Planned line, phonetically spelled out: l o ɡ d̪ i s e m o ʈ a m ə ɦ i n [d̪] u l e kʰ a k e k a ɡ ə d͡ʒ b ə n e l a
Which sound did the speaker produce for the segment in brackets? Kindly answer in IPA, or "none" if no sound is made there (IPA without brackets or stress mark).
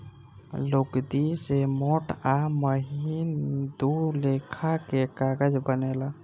d̪